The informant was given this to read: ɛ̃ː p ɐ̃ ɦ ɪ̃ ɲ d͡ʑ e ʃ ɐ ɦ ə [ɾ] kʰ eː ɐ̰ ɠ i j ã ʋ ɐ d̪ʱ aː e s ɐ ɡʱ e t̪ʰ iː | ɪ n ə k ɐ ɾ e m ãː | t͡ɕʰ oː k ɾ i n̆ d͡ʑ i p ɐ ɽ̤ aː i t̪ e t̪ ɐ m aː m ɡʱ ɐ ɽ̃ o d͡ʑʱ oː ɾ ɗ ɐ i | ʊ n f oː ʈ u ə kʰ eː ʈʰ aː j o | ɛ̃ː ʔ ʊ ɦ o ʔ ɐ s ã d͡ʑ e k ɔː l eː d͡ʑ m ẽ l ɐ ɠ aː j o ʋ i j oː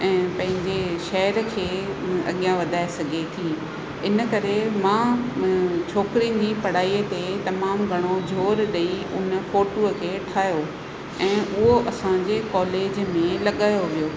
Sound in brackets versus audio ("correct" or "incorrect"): correct